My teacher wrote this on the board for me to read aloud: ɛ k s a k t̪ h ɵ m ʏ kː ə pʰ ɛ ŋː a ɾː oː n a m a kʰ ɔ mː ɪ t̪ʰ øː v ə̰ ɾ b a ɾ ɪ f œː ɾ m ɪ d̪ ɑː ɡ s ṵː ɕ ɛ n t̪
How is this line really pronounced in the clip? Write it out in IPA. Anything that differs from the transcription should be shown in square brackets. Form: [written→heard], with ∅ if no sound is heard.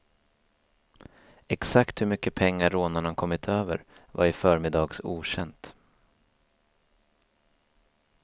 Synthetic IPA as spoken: ɛ k s a k t̪ h ɵ m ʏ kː ə pʰ ɛ ŋː a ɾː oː n a [m→ɳ] a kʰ ɔ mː ɪ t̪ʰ øː v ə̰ ɾ [b→v] a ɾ ɪ f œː ɾ m ɪ d̪ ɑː ɡ s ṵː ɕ ɛ n t̪

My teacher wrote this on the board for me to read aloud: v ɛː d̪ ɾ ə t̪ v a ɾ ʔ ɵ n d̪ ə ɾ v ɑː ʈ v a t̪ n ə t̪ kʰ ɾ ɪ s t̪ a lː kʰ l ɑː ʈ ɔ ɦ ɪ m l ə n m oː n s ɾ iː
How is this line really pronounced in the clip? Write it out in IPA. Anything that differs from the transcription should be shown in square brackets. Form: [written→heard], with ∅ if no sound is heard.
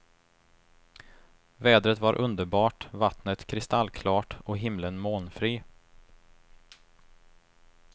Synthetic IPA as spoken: v ɛː d̪ ɾ ə t̪ v a ɾ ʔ ɵ n d̪ ə ɾ [v→b] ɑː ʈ v a t̪ n ə t̪ kʰ ɾ ɪ s t̪ a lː kʰ l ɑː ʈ ɔ ɦ ɪ m l ə n m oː n [s→f] ɾ iː

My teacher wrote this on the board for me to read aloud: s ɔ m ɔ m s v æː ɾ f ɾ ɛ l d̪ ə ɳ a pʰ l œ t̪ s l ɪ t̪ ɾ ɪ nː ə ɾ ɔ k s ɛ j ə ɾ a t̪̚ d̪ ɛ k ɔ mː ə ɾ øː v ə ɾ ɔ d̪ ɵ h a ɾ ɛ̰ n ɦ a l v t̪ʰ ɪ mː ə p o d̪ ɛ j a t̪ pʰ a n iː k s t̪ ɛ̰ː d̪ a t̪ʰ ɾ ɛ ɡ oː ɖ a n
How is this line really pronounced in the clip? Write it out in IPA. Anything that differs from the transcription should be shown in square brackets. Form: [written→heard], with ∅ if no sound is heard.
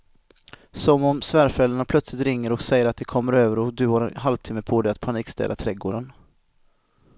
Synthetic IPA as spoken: s ɔ m ɔ m s v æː ɾ f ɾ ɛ l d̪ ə ɳ a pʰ l œ t̪ s l ɪ t̪ ɾ ɪ [nː→ŋː] ə ɾ ɔ k s ɛ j ə ɾ a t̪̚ d̪ ɛ [k→kʰ] ɔ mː ə ɾ øː v ə ɾ ɔ d̪ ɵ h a ɾ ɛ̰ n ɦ a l v t̪ʰ ɪ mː ə [p→pʰ] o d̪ ɛ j a t̪ pʰ a n iː k s t̪ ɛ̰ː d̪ a t̪ʰ ɾ ɛ ɡ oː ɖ [a→ə] n

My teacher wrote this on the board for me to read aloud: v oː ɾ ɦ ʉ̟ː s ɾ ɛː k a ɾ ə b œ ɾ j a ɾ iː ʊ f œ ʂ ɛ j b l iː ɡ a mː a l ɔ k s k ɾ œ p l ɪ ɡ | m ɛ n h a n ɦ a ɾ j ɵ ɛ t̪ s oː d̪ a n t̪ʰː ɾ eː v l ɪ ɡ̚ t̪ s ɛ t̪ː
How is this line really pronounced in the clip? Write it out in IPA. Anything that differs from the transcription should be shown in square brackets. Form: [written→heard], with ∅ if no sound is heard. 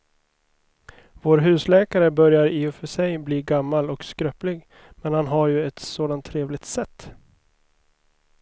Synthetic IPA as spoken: v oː ɾ ɦ ʉ̟ː s [ɾ→l] ɛː k a ɾ ə b œ ɾ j a ɾ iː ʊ f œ ʂ ɛ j b l iː ɡ a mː a l ɔ k s k ɾ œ p l ɪ ɡ | m ɛ n h a n ɦ a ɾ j ɵ ɛ t̪ s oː d̪ a n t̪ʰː ɾ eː v l ɪ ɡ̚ t̪ s ɛ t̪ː

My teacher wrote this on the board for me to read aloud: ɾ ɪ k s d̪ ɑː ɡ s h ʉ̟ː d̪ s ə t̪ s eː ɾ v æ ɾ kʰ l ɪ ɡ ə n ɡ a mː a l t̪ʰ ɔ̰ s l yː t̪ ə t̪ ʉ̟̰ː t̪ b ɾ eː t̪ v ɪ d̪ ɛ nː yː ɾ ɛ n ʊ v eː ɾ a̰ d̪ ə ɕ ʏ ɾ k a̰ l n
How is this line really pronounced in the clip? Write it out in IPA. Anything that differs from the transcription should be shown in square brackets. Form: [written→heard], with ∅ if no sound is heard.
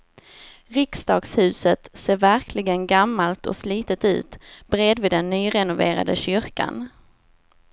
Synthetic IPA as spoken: ɾ ɪ k s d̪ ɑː ɡ s h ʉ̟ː [d̪→∅] s ə t̪ s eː ɾ v æ ɾ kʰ l ɪ ɡ ə n ɡ a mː a l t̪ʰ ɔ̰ s l [yː→iː] t̪ ə t̪ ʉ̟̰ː t̪ b ɾ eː [t̪→d̪] v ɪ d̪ ɛ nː yː ɾ ɛ n ʊ v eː ɾ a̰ d̪ ə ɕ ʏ ɾ k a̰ [l→∅] n

